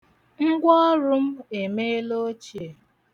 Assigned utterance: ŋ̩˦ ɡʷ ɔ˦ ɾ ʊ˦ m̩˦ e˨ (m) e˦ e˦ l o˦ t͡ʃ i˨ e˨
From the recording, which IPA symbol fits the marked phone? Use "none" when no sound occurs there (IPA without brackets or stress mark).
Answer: m